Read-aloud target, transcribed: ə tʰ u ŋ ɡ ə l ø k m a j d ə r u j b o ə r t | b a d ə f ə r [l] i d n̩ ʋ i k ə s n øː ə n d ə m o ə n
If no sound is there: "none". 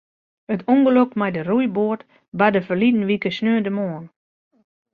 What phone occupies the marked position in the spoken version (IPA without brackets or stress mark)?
l